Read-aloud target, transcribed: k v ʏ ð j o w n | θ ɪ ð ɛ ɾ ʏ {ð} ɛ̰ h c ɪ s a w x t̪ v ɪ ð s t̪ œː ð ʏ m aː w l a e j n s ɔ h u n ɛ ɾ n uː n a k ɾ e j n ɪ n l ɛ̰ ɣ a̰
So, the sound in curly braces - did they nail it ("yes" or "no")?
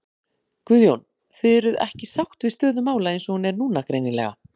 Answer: yes